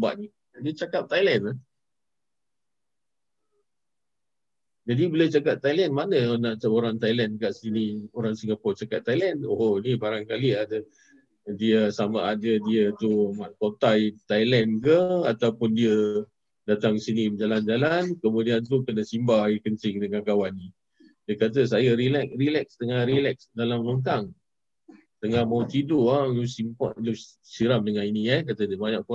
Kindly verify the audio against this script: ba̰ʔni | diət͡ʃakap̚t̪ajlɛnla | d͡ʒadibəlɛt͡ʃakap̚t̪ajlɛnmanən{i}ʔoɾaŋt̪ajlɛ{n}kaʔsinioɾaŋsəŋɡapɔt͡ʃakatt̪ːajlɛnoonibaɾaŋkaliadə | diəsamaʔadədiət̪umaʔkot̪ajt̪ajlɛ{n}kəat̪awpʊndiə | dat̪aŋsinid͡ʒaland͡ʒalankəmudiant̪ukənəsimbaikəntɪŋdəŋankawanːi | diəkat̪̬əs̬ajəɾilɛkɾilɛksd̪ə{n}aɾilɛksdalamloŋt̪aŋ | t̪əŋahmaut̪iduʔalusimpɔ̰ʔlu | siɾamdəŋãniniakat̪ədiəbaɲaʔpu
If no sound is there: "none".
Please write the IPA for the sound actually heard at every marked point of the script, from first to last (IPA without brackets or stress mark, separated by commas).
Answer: a, n, n, ŋ